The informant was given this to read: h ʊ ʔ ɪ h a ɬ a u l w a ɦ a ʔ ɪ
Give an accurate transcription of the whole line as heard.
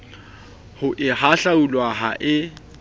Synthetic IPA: h ʊ ʔ ɪ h a ɬ a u l w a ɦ a ʔ ɪ